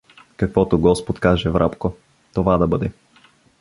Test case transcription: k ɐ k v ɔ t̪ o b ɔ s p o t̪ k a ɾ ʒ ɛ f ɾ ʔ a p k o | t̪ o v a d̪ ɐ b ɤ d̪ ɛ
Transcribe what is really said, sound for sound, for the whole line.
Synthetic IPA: k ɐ k v ɔ t̪ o ɡ ɔ s p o t̪ k a ʒ ɛ v ɾ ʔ a p k o | t̪ o v a d̪ ɐ b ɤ d̪ ɛ